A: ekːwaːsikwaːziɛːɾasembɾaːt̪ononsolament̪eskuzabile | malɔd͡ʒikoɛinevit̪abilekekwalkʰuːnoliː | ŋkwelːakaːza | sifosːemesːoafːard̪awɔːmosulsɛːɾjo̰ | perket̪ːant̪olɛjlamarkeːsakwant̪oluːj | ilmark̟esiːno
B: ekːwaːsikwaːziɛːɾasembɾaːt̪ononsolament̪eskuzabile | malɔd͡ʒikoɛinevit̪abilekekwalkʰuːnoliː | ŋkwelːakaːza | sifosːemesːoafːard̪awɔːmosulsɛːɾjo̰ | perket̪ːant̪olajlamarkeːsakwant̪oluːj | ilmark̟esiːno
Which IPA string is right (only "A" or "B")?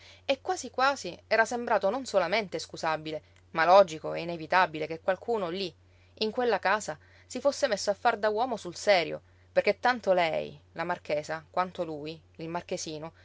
A